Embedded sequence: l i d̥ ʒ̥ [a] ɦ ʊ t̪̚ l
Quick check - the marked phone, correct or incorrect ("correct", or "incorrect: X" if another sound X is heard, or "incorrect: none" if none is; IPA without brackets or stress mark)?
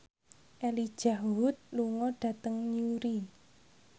correct